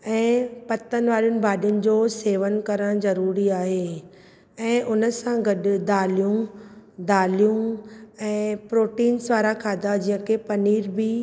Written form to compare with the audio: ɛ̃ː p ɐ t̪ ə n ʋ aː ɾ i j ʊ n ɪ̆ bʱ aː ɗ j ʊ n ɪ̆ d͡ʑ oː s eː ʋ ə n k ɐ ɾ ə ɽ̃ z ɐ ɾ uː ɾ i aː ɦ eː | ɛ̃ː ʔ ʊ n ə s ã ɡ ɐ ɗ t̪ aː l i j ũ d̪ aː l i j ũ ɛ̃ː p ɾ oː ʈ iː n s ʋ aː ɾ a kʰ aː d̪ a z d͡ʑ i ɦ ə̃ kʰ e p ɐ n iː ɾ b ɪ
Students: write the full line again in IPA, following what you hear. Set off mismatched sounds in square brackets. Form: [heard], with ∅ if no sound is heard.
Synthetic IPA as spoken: ɛ̃ː p ɐ t̪ ə n ʋ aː ɾ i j ʊ n ɪ̆ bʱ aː ɗ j ʊ n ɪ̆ d͡ʑ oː s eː ʋ ə n k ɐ ɾ ə ɽ̃ z ɐ ɾ uː ɾ i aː ɦ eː | ɛ̃ː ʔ ʊ n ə s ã ɡ ɐ ɗ [d̪] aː l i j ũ d̪ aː l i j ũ ɛ̃ː p ɾ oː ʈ iː n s ʋ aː ɾ a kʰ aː d̪ a [∅] d͡ʑ i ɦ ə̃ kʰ e p ɐ n iː ɾ b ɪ